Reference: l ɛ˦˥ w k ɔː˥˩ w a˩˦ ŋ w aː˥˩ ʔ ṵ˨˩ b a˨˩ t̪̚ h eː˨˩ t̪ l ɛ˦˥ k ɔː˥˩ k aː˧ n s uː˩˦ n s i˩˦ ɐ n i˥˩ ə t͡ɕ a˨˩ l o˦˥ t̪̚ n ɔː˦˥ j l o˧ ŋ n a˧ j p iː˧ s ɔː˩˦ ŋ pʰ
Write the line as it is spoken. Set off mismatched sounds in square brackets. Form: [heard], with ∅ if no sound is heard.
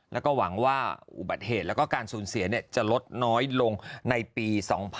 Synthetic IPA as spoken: l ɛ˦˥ w k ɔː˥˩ w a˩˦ ŋ w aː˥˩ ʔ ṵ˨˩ b a˨˩ t̪̚ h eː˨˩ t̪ l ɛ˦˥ k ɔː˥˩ k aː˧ n s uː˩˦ n s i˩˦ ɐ n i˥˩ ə t͡ɕ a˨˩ l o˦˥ t̪̚ n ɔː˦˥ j l o˧ ŋ n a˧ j p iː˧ s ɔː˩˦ ŋ pʰ